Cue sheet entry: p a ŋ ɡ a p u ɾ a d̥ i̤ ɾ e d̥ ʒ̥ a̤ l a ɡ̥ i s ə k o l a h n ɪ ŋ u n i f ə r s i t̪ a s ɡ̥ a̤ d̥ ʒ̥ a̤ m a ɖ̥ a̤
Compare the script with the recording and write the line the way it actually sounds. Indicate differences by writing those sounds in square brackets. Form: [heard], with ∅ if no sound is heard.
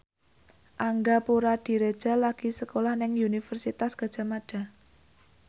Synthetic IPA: [ʔ] a ŋ ɡ a p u ɾ a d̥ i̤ ɾ e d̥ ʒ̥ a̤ l a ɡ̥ i s ə k o l a h n ɪ ŋ u n i f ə r s i t̪ a s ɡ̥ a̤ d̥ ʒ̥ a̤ m a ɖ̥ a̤